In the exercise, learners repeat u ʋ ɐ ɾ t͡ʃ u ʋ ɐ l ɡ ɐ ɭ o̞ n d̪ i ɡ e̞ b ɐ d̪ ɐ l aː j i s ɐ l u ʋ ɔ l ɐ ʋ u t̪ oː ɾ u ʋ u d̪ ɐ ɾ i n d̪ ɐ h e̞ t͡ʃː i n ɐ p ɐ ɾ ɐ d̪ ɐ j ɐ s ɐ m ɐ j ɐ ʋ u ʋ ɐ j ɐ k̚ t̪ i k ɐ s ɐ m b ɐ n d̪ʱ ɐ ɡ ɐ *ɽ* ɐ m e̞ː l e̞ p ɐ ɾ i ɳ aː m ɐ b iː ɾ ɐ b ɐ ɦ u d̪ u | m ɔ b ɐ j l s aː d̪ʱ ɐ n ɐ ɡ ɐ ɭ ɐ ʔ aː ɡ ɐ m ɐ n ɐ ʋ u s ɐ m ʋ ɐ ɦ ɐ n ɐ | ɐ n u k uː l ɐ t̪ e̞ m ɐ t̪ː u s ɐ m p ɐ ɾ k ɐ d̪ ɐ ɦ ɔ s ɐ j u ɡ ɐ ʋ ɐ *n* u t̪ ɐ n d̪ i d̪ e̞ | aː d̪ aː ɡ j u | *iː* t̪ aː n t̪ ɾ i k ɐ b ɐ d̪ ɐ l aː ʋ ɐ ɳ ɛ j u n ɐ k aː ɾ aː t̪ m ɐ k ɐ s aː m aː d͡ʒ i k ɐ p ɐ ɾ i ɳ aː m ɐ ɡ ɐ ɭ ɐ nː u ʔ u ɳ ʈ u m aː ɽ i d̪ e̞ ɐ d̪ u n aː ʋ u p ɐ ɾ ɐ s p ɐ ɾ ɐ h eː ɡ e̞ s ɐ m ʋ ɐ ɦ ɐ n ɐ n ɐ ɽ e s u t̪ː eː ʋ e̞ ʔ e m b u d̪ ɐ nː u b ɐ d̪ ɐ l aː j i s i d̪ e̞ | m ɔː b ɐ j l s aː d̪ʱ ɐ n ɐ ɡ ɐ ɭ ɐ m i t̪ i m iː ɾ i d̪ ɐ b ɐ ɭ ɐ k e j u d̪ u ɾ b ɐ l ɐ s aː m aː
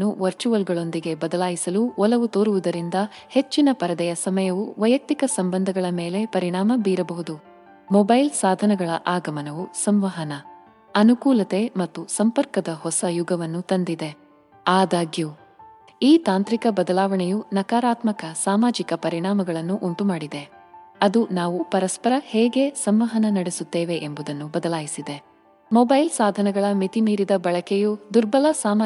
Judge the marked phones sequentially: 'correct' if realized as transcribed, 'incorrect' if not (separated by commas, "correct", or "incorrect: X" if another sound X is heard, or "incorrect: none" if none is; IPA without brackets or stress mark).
incorrect: ɭ, incorrect: nː, correct